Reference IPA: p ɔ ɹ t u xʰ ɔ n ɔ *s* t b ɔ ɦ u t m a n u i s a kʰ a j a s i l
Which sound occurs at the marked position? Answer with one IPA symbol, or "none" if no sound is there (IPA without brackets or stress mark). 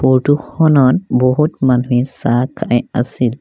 none